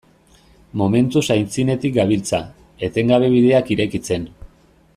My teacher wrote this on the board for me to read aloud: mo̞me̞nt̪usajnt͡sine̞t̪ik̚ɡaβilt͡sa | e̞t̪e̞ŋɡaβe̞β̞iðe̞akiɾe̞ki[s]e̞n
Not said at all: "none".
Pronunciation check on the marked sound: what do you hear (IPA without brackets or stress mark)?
t͡s